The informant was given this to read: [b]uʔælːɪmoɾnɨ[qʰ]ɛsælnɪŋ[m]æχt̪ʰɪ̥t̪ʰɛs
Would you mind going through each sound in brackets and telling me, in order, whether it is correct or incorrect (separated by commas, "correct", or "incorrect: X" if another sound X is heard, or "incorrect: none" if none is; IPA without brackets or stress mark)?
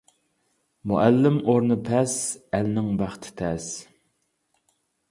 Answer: incorrect: m, incorrect: pʰ, incorrect: b